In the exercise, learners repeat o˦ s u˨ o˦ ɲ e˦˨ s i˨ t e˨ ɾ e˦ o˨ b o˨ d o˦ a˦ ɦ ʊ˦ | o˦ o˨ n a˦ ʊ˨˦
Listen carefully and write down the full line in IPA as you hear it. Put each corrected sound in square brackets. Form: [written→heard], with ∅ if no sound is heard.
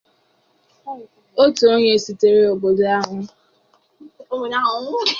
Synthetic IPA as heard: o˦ [s→t] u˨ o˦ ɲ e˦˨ s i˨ t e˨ ɾ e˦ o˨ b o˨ d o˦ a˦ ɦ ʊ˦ | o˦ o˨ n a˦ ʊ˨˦